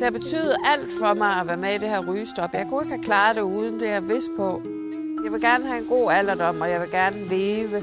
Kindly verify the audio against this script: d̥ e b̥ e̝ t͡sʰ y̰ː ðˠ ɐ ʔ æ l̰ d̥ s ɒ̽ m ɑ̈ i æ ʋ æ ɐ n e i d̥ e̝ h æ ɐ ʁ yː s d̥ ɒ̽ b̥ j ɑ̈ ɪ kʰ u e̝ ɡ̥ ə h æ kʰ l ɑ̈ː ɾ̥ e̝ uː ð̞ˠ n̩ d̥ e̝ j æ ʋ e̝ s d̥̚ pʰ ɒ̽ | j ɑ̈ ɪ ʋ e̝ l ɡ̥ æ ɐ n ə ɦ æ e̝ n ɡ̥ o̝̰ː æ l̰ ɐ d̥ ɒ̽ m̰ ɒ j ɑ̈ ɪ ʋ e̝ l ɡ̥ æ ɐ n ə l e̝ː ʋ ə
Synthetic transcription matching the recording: d̥ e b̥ e̝ t͡sʰ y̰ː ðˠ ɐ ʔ æ l̰ d̥ f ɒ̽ m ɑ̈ ɪ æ ʋ æ ɐ m e i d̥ e̝ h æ ɐ ʁ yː s d̥ ɒ̽ b̥ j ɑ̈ ɪ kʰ u e̝ ɡ̥ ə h æ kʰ l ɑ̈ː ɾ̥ e̝ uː ð̞ˠ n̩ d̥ e̝ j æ ʋ e̝ s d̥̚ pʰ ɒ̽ | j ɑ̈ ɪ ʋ e̝ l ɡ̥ æ ɐ n ə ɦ æ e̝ n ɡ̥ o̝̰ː æ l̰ ɐ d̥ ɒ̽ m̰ ɒ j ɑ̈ ɪ ʋ e̝ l ɡ̥ æ ɐ n ə l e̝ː ʋ ə